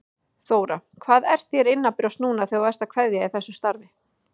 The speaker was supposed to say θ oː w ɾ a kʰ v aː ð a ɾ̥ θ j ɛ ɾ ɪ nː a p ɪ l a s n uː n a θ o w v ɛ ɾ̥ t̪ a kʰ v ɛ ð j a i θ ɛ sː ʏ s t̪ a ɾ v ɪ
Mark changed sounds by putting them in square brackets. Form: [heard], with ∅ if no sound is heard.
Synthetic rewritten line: θ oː w ɾ a kʰ v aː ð [ɛ] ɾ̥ θ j ɛ ɾ ɪ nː a p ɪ [ɾ] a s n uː n a θ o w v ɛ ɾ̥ t̪ a kʰ v ɛ ð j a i θ ɛ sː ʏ s t̪ a ɾ v ɪ